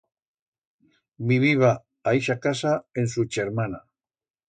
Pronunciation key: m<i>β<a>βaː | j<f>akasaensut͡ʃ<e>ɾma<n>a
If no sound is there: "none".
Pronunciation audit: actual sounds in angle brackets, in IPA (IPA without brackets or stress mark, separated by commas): i, i, ʃ, e, n